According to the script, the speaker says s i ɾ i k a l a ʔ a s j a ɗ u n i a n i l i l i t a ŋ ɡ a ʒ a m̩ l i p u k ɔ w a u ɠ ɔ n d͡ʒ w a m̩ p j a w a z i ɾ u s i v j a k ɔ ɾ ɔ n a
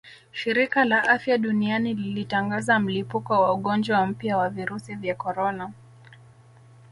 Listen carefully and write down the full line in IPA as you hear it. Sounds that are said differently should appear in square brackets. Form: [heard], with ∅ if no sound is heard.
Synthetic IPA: [ʃ] i ɾ i k a l a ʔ a [f] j a ɗ u n i a n i l i l i t a ŋ ɡ a [z] a m̩ l i p u k ɔ w a u ɠ ɔ n d͡ʒ w a m̩ p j a w a [v] i ɾ u s i v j a k ɔ ɾ ɔ n a